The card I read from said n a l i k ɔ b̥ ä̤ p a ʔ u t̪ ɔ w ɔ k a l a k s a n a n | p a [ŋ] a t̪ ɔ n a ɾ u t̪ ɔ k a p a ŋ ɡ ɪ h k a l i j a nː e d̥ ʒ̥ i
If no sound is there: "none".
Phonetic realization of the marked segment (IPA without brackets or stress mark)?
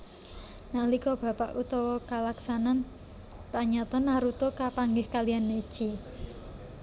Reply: ɲ